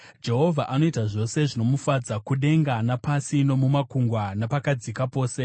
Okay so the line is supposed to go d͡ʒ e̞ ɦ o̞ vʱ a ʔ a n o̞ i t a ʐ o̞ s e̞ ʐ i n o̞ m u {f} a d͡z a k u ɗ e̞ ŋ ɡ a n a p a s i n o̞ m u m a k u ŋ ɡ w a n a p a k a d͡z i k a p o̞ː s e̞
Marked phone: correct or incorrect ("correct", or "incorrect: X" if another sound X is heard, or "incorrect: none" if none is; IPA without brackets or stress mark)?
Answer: correct